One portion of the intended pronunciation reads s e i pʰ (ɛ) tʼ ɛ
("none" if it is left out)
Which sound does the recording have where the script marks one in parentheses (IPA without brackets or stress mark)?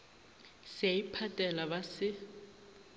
a